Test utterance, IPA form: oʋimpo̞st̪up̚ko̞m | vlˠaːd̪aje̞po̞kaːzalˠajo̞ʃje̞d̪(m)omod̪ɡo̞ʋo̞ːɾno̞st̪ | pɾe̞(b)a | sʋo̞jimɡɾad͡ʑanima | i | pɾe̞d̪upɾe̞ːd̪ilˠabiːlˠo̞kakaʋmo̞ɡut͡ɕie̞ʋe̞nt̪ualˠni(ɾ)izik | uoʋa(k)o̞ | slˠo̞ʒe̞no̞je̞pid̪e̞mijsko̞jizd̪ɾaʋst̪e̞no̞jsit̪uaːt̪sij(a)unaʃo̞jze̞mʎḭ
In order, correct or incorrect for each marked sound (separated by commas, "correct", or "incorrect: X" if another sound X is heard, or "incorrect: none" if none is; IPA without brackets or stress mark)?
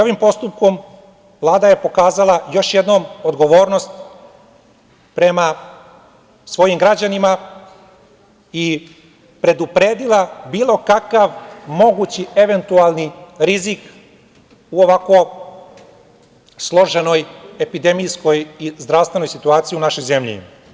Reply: incorrect: n, incorrect: m, correct, correct, incorrect: i